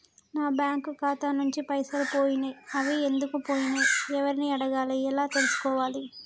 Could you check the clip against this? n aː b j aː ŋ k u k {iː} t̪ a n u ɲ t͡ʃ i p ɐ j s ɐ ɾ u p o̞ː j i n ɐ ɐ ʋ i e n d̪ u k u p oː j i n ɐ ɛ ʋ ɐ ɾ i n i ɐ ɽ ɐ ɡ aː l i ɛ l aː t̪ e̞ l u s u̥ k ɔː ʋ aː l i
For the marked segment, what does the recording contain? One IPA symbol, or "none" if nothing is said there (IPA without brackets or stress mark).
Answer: aː